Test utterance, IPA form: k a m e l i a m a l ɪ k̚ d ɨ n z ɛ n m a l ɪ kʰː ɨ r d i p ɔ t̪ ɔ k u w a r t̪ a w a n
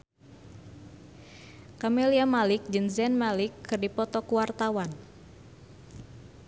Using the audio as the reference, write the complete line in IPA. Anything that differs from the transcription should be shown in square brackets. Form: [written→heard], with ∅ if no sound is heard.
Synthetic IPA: k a m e l i a m a l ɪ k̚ [d→d͡ʒ] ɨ n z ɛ n m a l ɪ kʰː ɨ r d i p ɔ t̪ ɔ k u w a r t̪ a w a n